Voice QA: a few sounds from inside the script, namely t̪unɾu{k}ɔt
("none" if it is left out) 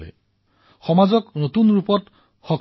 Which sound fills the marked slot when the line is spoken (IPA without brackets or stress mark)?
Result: p